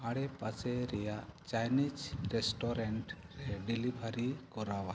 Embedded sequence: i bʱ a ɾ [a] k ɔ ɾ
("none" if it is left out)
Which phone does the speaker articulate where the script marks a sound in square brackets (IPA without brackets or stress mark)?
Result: i